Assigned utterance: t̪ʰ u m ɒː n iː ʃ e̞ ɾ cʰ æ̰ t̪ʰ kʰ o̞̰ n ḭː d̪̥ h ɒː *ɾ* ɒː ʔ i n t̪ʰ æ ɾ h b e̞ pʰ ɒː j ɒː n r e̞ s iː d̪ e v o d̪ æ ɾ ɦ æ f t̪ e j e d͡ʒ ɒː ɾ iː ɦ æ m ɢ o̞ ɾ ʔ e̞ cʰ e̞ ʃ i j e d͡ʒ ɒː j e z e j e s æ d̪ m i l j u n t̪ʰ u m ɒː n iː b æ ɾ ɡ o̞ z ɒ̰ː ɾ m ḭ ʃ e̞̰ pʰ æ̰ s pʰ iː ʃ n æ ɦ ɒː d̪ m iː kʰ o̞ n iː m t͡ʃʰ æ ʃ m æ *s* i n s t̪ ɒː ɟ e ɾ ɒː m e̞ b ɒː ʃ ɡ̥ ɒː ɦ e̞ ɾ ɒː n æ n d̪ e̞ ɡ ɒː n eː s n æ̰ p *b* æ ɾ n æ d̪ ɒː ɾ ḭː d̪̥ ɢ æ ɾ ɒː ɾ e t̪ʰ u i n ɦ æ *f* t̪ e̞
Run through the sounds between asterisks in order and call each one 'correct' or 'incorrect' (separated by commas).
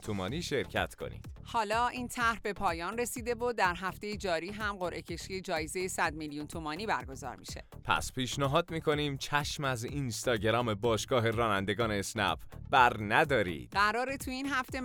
incorrect, incorrect, correct, correct